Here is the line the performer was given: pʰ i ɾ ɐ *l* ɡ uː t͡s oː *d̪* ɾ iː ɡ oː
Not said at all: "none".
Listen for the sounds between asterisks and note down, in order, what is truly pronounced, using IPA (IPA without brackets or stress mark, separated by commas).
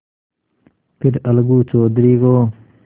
l, d̪